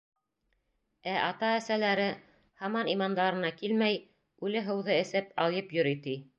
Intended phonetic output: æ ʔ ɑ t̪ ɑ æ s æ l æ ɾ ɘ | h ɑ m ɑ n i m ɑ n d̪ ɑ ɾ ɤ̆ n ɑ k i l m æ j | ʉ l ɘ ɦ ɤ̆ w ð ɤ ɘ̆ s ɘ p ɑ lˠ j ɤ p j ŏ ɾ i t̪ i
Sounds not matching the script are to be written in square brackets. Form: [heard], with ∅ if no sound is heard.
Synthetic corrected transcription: æ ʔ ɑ t̪ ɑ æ s æ l æ ɾ ɘ | h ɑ m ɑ n i m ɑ n d̪ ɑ ɾ ɤ̆ n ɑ k i l m æ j | ʉ l ɘ ɦ ɤ̆ w ð ɤ ɘ̆ s ɘ p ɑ lˠ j ɤ p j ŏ ɾ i t̪ i